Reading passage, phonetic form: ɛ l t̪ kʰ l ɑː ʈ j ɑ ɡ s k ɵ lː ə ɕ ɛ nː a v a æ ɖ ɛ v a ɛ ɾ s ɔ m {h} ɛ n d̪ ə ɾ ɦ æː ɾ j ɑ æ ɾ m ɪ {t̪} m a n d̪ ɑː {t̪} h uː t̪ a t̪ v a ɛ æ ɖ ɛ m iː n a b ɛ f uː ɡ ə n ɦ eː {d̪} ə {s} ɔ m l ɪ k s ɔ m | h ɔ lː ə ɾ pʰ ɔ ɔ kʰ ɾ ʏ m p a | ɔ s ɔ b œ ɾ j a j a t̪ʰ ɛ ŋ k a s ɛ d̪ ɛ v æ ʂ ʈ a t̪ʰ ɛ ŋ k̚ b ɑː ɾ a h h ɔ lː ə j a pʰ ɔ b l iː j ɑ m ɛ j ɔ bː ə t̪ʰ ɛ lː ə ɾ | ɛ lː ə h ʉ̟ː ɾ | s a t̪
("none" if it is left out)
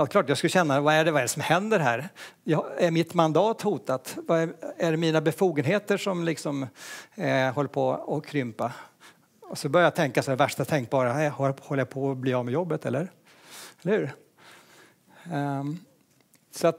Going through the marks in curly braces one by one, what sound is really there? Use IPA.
h, t̪, t̪, t̪, ʂ

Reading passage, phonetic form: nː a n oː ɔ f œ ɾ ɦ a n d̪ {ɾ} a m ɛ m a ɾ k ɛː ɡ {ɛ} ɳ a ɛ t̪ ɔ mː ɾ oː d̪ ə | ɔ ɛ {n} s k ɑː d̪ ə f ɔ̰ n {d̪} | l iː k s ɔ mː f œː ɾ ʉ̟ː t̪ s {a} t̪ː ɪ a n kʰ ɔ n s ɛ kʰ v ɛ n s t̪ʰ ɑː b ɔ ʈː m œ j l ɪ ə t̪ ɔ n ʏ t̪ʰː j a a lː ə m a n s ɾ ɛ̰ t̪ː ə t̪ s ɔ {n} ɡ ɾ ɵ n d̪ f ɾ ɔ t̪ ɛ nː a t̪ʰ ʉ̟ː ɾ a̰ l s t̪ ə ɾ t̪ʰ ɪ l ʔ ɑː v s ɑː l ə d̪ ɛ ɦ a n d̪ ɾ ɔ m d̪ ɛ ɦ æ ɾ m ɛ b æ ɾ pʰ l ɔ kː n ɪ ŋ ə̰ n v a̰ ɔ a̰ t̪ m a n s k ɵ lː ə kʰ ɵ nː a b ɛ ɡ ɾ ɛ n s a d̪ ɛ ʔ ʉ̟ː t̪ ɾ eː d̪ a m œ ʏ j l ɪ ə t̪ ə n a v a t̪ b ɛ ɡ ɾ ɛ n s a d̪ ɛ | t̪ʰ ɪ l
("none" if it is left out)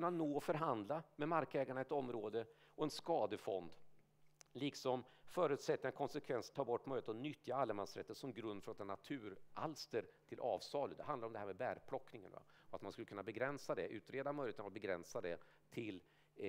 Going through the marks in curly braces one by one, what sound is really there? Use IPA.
l, a, n, d̪, ɛ, m

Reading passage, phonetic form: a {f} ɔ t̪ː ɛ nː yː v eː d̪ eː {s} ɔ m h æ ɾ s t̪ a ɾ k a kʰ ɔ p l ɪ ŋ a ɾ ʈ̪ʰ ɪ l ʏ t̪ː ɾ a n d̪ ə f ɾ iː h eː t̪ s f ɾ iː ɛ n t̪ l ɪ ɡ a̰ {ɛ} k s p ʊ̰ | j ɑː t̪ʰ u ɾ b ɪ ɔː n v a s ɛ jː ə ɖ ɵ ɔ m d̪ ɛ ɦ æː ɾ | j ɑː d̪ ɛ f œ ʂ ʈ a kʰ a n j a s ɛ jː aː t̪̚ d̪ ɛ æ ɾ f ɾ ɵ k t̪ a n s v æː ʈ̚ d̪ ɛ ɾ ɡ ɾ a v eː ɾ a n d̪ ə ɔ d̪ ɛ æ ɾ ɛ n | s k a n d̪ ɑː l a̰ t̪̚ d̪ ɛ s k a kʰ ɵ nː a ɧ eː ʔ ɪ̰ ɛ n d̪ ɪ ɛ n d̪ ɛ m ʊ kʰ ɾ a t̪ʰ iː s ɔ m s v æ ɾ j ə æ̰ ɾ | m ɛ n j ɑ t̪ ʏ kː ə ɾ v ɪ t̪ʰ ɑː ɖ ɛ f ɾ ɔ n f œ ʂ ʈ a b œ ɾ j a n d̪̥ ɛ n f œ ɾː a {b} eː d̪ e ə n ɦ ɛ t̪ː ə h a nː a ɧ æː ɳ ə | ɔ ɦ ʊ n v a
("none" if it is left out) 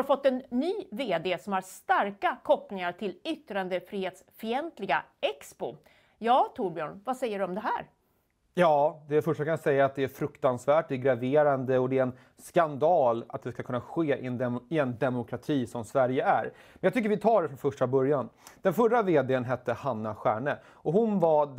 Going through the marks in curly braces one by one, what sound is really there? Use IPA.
f, s, ɛ, v

